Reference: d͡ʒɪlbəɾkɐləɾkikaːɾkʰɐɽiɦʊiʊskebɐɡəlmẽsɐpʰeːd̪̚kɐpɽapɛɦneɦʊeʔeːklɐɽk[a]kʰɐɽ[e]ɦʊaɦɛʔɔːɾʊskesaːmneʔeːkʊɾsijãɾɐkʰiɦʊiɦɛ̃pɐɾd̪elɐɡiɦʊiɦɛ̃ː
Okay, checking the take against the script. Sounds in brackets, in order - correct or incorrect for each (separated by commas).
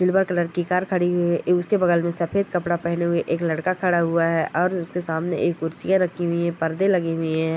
correct, incorrect